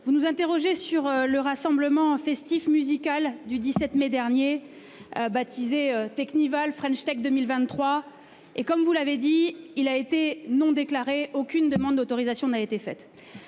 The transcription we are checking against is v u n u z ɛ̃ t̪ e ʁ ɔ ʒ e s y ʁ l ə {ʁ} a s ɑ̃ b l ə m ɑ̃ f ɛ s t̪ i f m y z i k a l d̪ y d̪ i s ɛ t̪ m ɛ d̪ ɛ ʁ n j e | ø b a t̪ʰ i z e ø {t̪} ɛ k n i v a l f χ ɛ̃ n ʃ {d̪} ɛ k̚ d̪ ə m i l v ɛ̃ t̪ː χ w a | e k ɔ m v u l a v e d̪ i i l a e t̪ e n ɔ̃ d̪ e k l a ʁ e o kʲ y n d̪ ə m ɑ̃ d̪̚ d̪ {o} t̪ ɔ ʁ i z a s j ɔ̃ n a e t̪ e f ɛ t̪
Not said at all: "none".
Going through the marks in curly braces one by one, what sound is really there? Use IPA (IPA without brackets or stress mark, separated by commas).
ʁ, t̪, t̪, o